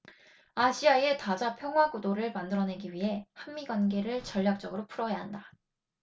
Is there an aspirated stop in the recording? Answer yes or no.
yes